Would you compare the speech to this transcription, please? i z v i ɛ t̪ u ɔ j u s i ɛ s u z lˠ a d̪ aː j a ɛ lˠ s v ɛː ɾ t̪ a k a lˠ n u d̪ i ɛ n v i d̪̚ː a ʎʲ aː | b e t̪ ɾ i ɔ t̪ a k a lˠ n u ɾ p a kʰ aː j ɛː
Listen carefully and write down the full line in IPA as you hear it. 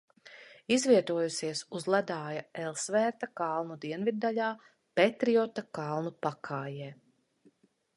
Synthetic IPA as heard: i z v i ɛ t̪ u ɔ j u s i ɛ s u z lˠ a d̪ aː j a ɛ lˠ s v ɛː ɾ t̪ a k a lˠ n u d̪ i ɛ n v i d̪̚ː a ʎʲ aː | p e t̪ ɾ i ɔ t̪ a k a lˠ n u p a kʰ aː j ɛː

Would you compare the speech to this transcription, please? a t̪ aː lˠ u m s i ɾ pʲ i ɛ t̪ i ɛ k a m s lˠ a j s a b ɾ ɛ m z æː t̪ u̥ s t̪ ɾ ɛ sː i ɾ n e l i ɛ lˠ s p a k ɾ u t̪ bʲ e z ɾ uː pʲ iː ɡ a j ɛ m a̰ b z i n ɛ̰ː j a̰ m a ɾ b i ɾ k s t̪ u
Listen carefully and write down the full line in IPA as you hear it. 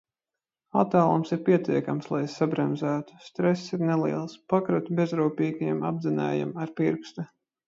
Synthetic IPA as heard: a t̪ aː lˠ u m s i ɾ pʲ i ɛ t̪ i ɛ k a m s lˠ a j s a b ɾ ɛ m z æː t̪ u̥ s t̪ ɾ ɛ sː i ɾ n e l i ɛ lˠ s p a k ɾ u t̪ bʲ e z ɾ uː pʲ iː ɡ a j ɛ m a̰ b z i n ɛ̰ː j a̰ m a ɾ p i ɾ k s t̪ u

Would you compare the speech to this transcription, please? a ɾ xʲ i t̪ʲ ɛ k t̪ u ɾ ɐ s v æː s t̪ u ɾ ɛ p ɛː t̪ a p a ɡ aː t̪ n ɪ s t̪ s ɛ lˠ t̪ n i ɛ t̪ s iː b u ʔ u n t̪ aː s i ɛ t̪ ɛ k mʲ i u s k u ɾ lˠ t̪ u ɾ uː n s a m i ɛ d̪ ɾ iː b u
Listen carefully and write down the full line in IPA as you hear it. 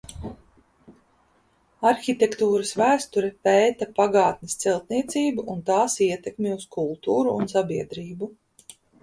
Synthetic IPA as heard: a ɾ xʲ i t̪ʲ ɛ k t̪ uː ɾ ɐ s v æː s t̪ u ɾ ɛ p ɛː t̪ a p a ɡ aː t̪ n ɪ s t̪ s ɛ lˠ t̪ n i ɛ t̪ s iː b u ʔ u n t̪ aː s i ɛ t̪ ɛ k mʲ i u s k u lˠ t̪ uː ɾ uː n s a b i ɛ d̪ ɾ iː b u

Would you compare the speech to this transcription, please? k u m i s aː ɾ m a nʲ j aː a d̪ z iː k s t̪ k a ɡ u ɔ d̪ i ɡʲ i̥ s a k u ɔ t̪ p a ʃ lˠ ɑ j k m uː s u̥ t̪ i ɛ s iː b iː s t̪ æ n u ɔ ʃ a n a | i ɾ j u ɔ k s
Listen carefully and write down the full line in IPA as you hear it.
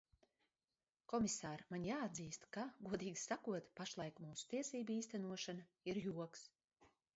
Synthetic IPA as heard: k ɔ m i s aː ɾ m a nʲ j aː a d̪ z iː s t̪ k a ɡ u ɔ d̪ iː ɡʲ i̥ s a k u ɔ t̪ p a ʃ lˠ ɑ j k m uː s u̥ t̪ i ɛ s iː b iː s t̪ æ n u ɔ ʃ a n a | i ɾ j u ɔ k s

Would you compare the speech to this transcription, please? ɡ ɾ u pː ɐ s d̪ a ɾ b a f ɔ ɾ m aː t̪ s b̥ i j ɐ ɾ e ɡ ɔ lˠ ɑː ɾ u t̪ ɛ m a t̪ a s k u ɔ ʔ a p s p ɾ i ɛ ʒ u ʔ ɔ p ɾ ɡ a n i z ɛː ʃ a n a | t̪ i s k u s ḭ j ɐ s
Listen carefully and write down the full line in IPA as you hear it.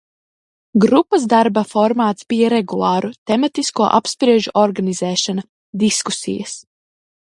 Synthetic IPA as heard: ɡ ɾ u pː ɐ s d̪ a ɾ b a f ɔ ɾ m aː t̪ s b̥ i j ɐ ɾ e ɡ u lˠ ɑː ɾ u t̪ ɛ m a t̪ i s k u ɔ ʔ a p s p ɾ i ɛ ʒ u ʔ ɔ ɾ ɡ a n i z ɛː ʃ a n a | d̪ i s k u s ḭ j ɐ s

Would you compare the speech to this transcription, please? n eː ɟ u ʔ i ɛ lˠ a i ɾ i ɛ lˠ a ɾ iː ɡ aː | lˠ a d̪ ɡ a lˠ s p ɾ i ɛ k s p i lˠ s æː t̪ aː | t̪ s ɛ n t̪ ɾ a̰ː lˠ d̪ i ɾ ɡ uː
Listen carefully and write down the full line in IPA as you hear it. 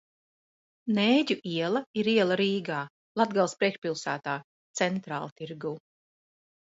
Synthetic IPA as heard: n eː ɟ u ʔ i ɛ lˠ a i ɾ i ɛ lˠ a ɾ iː ɡ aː | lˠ a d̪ ɡ a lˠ s p ɾ i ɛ k ʃ p i lˠ s æː t̪ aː | t̪ s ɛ n t̪ ɾ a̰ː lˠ t̪ i ɾ ɡ uː

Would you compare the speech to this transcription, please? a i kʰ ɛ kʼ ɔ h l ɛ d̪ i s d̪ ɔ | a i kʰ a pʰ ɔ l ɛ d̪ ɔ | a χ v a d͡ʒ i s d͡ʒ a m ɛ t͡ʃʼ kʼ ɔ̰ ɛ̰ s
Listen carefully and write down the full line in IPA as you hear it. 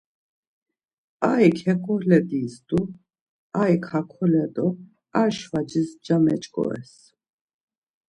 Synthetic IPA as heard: a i kʰ ɛ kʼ ɔ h l ɛ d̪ i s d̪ u | a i kʰ a kʰ ɔ l ɛ d̪ ɔ | a ʃ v a d͡ʒ i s d͡ʒ a m ɛ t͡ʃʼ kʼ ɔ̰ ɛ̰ s

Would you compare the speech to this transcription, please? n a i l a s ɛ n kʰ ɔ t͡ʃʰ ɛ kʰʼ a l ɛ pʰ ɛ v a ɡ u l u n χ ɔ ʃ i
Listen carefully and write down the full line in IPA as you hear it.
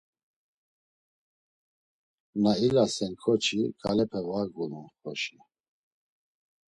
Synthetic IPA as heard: n a i l a s ɛ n kʰ ɔ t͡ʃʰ i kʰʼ a l ɛ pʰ ɛ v a ɡ u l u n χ ɔ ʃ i

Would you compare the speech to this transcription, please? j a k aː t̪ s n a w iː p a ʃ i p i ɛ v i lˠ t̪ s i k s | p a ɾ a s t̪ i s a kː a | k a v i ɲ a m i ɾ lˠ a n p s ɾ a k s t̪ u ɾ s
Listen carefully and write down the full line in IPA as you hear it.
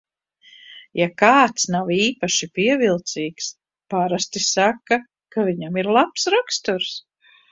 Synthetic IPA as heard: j a k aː t̪ s n a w iː p a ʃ i p i ɛ v i lˠ t̪ s iː k s | p a ɾ a s t̪ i s a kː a | k a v i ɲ a m i ɾ lˠ a p s ɾ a k s t̪ u ɾ s

